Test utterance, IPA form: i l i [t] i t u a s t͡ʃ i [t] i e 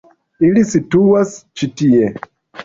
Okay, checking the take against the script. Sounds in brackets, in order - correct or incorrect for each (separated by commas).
incorrect, correct